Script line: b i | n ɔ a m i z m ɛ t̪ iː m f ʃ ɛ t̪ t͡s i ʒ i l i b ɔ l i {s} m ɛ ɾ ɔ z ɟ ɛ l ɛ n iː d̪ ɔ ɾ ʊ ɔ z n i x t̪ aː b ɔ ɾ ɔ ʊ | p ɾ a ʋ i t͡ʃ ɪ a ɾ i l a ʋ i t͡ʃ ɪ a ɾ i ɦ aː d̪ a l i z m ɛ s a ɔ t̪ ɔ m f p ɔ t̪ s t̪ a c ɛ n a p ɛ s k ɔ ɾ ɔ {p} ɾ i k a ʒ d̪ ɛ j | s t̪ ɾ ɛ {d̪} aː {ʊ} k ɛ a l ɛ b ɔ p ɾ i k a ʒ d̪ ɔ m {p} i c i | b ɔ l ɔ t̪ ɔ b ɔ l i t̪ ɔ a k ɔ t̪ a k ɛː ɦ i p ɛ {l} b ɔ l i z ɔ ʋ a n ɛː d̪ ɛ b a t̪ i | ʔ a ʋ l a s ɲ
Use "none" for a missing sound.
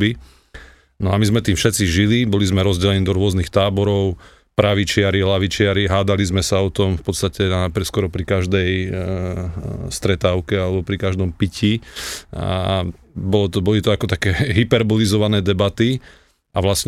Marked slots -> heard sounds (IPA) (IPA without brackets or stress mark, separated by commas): z, p, t̪, ʊ, p, ɾ